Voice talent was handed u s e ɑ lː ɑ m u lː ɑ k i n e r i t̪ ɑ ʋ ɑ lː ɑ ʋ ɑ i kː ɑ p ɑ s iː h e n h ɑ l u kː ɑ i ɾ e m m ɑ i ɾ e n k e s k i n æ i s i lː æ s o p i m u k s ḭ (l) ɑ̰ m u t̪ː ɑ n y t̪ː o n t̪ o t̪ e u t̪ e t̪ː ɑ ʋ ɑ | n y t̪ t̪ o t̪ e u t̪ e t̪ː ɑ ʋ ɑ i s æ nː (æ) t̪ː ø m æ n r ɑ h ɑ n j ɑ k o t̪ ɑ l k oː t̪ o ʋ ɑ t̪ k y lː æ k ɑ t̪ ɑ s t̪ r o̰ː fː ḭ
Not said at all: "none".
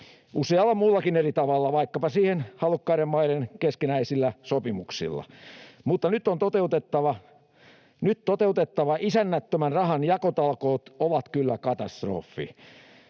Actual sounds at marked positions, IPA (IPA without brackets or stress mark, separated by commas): lː, æ